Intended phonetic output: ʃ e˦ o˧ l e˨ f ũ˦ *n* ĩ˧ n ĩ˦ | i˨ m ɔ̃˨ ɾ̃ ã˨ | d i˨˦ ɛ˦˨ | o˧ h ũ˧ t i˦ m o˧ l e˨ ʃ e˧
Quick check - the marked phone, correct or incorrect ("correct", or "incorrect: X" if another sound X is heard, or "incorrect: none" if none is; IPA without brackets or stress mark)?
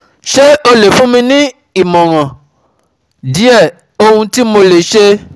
incorrect: m